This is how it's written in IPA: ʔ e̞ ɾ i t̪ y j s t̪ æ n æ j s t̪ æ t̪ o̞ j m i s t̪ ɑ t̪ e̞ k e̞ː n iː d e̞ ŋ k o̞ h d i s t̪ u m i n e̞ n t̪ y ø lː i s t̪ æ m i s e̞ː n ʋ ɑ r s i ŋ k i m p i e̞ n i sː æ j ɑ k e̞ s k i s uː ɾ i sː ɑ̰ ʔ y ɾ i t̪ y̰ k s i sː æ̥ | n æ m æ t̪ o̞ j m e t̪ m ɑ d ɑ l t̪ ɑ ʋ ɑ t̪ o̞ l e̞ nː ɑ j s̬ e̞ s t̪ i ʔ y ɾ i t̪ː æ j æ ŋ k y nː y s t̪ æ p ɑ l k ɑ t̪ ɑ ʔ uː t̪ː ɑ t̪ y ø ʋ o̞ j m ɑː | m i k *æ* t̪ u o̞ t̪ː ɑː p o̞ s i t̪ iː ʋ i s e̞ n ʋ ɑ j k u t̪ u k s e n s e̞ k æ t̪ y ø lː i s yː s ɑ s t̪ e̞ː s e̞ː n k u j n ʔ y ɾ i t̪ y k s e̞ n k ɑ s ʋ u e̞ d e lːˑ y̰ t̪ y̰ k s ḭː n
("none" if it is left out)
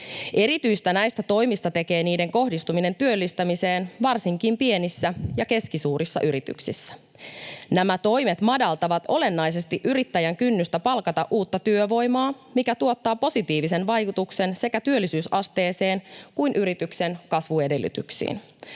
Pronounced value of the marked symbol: æ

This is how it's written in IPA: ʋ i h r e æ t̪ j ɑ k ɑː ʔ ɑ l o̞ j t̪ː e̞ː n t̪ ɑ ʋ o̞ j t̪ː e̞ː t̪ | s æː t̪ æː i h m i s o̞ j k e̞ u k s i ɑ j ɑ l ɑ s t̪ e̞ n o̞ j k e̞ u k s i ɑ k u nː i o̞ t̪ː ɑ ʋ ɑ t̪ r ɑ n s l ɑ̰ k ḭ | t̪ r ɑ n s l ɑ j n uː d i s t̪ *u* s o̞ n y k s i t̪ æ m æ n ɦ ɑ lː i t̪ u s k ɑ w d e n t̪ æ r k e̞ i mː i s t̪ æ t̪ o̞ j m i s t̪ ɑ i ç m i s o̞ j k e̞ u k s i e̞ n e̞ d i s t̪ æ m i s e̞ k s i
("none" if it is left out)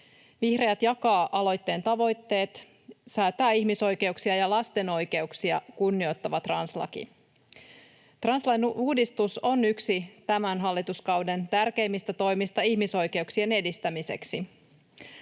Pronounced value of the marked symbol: u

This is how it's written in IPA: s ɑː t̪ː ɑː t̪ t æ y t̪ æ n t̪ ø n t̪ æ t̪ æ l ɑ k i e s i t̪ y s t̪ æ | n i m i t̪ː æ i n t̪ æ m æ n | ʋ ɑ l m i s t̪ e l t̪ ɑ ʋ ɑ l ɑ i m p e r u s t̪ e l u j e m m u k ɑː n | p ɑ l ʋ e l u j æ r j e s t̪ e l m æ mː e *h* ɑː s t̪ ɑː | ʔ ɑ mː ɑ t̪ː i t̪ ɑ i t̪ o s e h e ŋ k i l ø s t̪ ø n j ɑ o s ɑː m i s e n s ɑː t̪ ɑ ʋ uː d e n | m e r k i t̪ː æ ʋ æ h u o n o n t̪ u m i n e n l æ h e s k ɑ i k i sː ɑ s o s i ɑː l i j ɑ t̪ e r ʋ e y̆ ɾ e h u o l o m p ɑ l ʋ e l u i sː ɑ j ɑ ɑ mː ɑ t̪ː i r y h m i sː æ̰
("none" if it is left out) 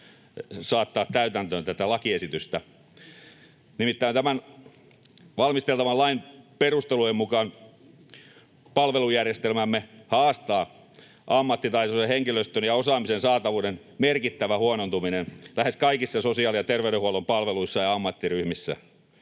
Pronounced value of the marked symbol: h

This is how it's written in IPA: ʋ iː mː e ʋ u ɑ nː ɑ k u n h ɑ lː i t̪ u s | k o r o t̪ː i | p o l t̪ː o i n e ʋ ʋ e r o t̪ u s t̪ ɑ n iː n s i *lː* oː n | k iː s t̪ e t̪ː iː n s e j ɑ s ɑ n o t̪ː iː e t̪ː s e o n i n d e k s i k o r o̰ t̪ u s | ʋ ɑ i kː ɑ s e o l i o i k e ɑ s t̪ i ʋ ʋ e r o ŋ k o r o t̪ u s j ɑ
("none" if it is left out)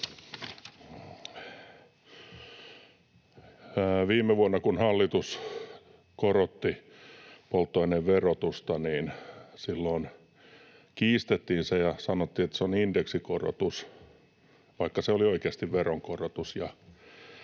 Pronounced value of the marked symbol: lː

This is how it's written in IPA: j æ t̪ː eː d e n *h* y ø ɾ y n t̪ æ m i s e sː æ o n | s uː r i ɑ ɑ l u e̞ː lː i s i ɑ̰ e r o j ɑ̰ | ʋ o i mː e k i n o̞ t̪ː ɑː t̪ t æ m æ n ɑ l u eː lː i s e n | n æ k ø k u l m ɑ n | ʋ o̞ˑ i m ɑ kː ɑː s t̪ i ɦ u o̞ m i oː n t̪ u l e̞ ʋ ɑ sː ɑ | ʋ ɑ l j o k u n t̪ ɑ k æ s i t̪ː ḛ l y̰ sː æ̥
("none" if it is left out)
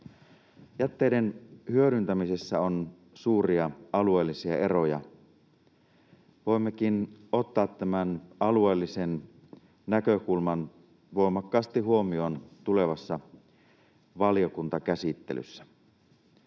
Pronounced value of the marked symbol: h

